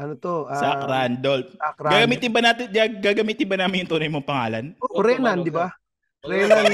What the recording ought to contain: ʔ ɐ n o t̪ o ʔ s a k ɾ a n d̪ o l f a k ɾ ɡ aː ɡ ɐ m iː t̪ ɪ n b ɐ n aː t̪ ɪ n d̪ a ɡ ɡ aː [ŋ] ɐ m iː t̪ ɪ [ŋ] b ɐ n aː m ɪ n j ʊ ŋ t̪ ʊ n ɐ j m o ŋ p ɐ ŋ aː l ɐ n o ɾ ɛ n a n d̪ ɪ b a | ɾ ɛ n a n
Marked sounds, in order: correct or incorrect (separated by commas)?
incorrect, incorrect